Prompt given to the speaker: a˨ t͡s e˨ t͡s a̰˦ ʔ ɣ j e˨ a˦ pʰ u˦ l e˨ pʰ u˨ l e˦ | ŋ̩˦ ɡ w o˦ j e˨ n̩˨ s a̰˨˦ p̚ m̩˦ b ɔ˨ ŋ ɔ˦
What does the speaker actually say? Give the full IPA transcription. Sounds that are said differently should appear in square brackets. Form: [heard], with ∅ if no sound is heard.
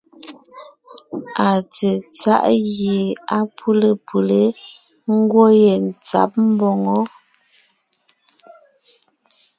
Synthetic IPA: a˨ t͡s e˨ t͡s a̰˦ ʔ ɣ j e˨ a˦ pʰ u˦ l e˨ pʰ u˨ l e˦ | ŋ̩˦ ɡ w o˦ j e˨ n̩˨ [t͡s] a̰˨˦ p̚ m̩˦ b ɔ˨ ŋ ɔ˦